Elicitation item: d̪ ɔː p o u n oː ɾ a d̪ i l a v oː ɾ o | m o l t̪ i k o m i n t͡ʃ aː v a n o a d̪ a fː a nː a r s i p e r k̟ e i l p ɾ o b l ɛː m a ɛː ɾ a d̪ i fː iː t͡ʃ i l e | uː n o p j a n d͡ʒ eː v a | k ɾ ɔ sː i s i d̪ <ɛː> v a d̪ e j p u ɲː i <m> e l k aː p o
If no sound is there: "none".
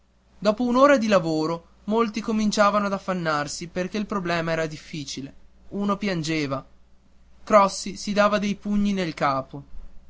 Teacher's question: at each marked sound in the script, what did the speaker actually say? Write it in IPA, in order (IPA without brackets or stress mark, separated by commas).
aː, n